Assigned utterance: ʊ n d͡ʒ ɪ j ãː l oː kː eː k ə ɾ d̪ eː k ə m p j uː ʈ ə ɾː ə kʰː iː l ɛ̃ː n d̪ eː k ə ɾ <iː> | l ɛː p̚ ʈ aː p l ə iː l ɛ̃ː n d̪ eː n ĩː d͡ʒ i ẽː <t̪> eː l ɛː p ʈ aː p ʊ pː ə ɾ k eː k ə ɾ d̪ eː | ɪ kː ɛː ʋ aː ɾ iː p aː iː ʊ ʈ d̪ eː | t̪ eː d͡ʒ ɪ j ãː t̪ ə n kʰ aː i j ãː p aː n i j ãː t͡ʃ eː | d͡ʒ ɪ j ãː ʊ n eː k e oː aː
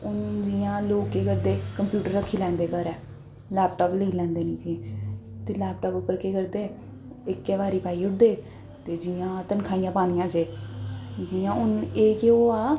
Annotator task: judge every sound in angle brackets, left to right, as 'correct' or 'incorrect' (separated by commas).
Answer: incorrect, correct